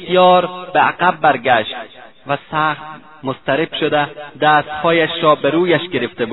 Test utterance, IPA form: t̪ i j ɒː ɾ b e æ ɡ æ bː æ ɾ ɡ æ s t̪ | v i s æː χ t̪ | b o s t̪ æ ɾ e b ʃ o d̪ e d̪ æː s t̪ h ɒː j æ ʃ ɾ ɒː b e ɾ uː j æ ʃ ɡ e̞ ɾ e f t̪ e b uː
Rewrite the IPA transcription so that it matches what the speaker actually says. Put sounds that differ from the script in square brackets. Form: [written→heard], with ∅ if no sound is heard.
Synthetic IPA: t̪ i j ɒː ɾ b e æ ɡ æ bː æ ɾ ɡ æ [s→ʃ] t̪ | v [i→æ] s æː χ t̪ | [b→m] o s t̪ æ ɾ e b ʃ o d̪ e d̪ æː s t̪ h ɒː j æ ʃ ɾ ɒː b e ɾ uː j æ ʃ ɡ e̞ ɾ e f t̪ e b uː